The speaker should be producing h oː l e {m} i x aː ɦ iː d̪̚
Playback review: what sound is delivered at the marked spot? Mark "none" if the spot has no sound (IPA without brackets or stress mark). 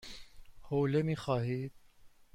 m